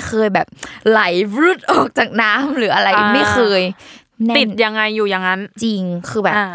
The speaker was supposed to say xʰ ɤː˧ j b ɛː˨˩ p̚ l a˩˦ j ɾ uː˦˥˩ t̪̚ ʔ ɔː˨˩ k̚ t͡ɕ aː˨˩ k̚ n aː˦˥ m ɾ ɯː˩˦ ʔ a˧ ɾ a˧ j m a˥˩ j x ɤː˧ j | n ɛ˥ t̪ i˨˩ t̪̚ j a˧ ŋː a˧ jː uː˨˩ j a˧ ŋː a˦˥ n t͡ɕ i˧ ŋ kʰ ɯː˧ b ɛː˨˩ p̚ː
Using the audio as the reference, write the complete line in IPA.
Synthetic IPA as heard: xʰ ɤː˧ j b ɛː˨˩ p̚ l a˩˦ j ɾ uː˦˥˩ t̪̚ ʔ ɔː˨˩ k̚ t͡ɕ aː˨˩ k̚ n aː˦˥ m ɾ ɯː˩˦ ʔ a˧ ɾ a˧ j m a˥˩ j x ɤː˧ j | n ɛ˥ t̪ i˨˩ t̪̚ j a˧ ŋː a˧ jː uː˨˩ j a˧ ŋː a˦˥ n t͡ɕ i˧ ŋ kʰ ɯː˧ b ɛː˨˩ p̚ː